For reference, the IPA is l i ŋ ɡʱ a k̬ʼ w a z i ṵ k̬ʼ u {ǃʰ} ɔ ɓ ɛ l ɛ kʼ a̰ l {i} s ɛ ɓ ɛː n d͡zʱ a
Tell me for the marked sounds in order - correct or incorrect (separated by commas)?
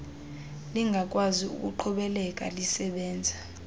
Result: correct, correct